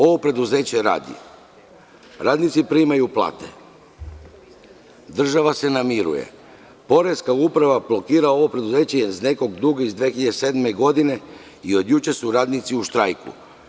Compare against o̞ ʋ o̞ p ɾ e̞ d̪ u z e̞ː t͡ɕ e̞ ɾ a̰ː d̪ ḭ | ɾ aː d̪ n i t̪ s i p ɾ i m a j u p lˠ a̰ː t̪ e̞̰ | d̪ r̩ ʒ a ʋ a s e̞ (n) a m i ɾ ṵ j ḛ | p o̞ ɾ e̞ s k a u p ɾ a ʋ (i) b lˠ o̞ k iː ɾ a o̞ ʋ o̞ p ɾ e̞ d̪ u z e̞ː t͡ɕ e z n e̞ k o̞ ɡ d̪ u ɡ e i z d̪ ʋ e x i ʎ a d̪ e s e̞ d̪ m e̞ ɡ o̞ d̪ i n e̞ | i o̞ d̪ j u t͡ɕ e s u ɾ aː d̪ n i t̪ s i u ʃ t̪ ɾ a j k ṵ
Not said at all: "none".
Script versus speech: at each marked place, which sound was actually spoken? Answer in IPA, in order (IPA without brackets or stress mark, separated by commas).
n, a